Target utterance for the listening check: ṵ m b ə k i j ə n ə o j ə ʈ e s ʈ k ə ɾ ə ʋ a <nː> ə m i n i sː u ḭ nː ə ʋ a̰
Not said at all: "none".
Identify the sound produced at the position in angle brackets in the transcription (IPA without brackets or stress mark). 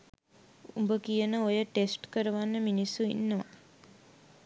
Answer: nː